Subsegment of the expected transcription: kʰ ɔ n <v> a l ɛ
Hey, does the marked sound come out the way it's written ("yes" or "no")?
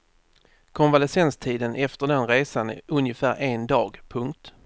yes